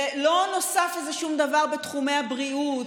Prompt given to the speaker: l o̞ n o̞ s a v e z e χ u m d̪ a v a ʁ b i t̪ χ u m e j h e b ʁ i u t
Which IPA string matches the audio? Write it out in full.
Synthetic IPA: l o̞ n o̞ s a f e z e ʃ u m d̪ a v a ʁ b e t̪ χ u m e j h a b ʁ i u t